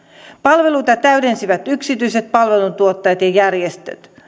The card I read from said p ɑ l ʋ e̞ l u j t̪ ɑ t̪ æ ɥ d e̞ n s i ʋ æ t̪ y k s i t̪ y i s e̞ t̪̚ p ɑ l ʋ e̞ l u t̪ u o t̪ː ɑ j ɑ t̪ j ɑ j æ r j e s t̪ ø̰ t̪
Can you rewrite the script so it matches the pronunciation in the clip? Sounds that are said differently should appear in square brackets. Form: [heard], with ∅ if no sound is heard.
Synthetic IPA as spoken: p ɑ l ʋ e̞ l u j t̪ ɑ t̪ æ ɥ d e̞ n s i ʋ æ t̪ y k s i t̪ y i s e̞ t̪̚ p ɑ l ʋ e̞ l u t̪ u o t̪ː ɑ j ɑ t̪ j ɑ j æ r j e s t̪ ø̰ t̪